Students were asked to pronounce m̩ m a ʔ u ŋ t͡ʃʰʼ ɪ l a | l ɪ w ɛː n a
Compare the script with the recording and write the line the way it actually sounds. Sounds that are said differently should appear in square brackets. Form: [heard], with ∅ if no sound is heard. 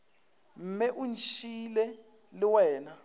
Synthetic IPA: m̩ m [ɛ] ʔ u [n] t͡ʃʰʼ [i] l [ɛ] | l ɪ w ɛː n a